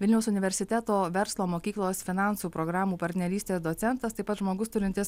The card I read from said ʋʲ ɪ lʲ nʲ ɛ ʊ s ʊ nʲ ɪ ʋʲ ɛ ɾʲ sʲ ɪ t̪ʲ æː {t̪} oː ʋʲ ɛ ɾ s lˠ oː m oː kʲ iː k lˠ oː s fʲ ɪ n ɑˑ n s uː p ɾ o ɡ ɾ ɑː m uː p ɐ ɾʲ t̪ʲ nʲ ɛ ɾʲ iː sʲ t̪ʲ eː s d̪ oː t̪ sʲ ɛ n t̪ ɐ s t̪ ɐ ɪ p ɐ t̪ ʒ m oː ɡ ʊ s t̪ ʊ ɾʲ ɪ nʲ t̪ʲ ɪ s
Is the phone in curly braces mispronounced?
no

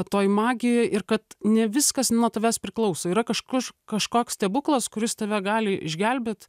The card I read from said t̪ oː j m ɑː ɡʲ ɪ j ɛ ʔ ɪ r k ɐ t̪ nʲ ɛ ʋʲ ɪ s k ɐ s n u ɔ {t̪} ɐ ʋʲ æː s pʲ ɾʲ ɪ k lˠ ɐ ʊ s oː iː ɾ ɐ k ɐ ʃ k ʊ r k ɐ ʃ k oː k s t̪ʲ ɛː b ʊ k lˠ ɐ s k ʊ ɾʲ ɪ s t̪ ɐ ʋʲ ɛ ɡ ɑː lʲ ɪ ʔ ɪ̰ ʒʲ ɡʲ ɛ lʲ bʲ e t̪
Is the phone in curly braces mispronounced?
no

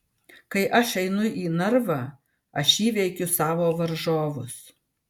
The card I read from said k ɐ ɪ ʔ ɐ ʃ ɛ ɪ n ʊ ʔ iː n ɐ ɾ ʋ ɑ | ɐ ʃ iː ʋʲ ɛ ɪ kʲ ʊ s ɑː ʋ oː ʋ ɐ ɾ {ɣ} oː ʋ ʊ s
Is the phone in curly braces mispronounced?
yes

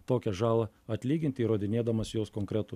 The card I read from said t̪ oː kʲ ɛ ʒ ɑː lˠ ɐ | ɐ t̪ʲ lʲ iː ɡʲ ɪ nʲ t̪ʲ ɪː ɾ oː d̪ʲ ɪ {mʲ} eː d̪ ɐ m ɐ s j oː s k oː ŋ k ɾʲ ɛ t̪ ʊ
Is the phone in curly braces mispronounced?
yes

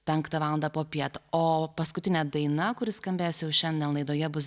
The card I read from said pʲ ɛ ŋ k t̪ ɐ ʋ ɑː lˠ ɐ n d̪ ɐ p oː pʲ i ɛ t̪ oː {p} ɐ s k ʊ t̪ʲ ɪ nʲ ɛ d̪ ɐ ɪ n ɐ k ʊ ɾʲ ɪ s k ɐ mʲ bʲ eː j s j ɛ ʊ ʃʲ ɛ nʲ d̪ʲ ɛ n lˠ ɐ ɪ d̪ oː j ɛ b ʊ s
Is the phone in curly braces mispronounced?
no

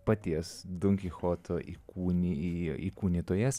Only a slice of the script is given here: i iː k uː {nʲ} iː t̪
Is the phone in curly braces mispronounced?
no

